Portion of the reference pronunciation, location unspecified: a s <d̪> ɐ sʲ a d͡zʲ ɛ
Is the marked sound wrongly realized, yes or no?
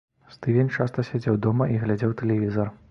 yes